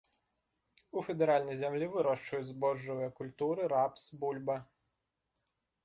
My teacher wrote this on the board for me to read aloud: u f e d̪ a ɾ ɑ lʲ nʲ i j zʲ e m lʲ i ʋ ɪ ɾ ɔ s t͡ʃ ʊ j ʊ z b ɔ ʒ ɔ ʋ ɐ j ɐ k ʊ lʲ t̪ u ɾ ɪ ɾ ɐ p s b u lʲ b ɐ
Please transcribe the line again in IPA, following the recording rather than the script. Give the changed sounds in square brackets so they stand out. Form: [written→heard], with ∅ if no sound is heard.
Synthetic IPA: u f e d̪ [a→e] ɾ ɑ lʲ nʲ i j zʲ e m lʲ i ʋ ɪ ɾ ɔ [s→ʃ] t͡ʃ ʊ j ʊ z b ɔ ʒ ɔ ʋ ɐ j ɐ k ʊ lʲ t̪ u ɾ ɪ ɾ [ɐ→ɑ] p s b u lʲ b ɐ